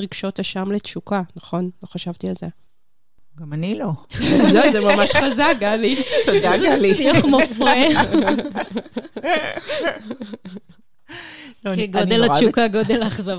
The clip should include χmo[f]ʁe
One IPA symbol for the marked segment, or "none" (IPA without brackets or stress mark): f